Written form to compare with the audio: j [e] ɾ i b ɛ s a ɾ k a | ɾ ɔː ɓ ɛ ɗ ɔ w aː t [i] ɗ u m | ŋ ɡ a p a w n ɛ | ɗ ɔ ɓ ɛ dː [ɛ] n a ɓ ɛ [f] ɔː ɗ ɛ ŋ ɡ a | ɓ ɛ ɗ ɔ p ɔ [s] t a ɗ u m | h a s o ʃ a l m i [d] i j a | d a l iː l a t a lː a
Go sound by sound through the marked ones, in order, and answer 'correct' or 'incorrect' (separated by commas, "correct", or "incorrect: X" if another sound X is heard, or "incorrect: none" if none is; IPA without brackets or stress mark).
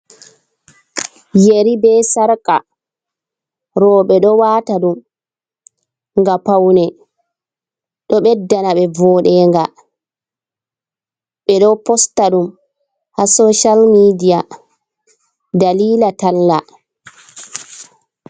correct, incorrect: a, incorrect: a, incorrect: v, correct, correct